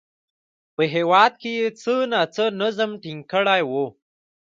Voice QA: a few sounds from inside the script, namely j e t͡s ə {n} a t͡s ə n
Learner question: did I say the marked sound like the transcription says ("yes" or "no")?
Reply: yes